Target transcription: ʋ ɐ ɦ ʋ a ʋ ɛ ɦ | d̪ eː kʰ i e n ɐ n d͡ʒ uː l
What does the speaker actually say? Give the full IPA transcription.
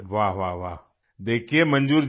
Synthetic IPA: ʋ a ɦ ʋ a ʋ a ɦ | d̪ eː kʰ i e m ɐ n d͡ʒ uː ɾ